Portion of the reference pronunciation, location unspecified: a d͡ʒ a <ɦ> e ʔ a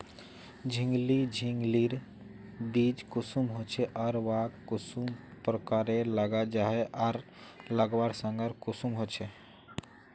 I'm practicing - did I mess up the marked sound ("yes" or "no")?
no